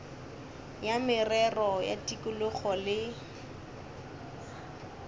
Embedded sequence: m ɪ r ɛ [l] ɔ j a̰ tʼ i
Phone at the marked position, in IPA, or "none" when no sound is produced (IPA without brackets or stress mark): r